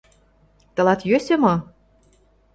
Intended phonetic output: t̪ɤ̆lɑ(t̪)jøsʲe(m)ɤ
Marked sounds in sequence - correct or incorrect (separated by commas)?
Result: correct, correct